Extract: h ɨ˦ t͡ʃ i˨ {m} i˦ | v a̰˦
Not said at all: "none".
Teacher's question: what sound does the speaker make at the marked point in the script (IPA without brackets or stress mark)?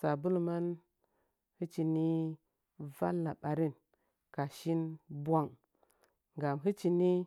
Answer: n